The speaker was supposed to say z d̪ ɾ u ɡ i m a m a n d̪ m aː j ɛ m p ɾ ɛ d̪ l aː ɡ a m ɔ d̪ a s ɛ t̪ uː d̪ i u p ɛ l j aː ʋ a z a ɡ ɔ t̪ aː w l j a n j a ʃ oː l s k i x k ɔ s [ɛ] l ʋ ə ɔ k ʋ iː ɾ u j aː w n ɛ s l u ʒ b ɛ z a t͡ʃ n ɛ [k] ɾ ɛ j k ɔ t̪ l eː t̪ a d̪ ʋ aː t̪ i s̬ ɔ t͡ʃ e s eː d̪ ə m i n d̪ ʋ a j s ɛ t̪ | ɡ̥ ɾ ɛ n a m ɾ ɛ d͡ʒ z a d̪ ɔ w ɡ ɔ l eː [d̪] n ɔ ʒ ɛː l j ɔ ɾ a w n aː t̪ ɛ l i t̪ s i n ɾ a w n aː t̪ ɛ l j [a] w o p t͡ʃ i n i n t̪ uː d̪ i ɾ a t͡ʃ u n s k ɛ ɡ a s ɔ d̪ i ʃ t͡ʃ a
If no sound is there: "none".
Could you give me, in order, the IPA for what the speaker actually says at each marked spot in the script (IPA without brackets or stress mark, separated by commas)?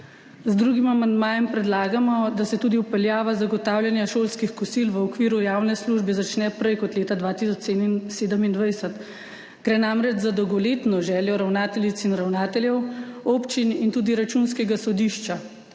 i, p, t̪, ɛ